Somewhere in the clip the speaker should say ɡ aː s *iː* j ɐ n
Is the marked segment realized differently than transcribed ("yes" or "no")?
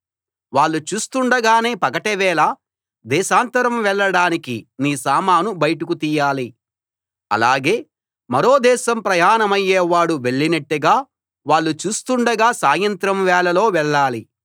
yes